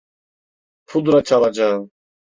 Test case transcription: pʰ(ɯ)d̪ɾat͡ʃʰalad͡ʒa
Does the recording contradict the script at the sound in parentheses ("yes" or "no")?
yes